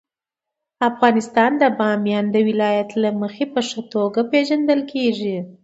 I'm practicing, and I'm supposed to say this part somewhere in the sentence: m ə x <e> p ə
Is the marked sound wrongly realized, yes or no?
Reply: no